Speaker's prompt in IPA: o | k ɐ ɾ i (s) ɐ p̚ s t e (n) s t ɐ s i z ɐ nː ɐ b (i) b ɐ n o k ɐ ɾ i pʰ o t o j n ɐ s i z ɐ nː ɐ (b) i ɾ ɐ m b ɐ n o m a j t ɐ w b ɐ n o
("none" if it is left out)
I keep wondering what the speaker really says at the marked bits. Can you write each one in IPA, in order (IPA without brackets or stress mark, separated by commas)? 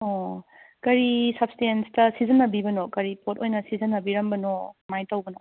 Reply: s, n, i, b